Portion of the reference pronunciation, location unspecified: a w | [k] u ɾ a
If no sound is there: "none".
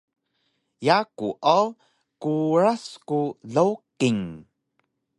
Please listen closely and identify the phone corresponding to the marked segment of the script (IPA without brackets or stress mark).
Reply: k